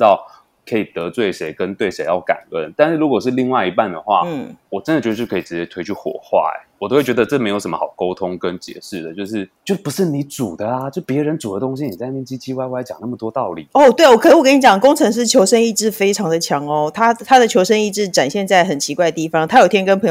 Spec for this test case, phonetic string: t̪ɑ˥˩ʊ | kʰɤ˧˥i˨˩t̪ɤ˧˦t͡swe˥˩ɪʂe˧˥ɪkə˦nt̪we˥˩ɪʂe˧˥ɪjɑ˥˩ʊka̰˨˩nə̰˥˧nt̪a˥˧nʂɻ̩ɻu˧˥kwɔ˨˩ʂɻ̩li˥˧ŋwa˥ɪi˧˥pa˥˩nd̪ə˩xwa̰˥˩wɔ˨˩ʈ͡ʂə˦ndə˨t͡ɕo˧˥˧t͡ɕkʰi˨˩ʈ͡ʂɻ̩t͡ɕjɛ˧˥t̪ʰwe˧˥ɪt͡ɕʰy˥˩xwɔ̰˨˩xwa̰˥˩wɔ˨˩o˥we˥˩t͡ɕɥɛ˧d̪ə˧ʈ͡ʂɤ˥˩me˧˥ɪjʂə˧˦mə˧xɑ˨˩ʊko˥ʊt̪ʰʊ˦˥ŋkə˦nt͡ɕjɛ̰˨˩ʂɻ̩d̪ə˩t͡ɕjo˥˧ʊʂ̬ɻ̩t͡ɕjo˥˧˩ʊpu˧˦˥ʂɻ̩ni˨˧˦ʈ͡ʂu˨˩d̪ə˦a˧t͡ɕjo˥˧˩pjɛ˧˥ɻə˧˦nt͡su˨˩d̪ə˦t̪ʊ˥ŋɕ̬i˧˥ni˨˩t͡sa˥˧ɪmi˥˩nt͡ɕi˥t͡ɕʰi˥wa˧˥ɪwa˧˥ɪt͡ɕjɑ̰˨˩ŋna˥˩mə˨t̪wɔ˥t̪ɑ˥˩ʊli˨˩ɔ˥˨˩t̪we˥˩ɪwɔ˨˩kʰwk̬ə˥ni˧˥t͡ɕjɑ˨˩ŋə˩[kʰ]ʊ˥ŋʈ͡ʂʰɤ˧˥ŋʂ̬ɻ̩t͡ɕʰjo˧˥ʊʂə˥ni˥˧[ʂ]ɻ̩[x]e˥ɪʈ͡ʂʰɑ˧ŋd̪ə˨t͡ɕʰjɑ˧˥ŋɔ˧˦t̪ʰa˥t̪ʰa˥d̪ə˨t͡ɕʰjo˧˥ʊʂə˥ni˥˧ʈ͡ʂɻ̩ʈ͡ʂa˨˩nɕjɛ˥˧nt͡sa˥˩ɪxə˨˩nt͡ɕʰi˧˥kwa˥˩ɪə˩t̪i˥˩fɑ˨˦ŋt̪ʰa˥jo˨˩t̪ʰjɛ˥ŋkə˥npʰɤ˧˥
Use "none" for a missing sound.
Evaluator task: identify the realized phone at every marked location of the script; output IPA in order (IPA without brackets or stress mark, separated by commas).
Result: k, ʈ͡ʂ, f